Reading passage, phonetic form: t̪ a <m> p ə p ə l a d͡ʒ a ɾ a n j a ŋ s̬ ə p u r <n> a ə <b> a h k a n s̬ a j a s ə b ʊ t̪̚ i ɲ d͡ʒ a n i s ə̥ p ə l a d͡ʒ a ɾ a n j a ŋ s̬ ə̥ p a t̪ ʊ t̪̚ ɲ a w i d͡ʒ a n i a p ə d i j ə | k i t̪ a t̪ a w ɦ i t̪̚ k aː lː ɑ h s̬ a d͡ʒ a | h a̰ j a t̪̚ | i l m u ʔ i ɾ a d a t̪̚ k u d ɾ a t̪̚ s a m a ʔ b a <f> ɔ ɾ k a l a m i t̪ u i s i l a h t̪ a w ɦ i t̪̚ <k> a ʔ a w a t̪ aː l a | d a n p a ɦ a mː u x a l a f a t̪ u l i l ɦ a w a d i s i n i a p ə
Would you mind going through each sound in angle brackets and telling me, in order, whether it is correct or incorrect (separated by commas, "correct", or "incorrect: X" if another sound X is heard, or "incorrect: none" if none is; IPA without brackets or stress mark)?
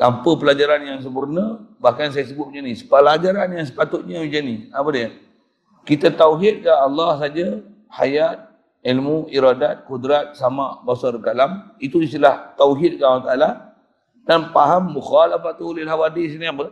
correct, correct, correct, incorrect: s, correct